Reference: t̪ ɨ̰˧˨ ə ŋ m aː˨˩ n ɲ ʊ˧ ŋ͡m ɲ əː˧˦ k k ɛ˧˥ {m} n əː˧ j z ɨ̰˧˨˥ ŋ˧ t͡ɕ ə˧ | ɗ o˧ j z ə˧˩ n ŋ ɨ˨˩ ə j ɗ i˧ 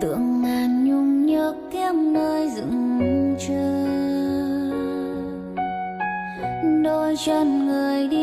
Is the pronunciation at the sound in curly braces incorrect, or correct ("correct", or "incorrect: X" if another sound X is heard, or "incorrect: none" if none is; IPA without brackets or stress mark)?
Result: correct